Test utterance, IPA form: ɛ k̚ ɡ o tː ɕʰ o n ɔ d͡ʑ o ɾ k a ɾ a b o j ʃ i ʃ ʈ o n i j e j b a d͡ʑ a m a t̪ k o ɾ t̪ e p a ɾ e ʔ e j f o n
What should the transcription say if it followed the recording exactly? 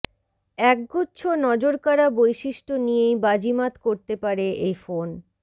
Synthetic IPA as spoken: ɛ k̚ ɡ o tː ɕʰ o n ɔ d͡ʑ o ɾ k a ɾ a b o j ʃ i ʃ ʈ o n i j e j b a d͡ʑ i m a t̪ k o ɾ t̪ e p a ɾ e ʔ e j f o n